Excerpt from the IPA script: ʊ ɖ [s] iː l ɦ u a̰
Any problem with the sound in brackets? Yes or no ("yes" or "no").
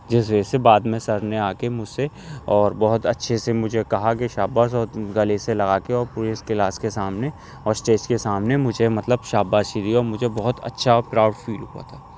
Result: yes